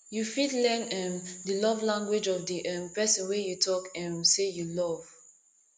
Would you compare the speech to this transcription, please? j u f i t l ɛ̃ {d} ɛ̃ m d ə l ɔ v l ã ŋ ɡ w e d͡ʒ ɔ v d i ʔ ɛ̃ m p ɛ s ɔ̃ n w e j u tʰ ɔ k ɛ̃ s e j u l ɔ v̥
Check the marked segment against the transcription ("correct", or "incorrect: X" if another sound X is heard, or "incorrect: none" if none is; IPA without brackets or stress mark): incorrect: n